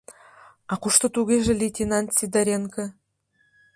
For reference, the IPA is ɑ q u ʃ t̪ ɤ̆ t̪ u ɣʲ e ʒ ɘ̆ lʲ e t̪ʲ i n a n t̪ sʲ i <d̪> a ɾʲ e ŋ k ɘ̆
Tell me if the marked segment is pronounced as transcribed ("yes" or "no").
yes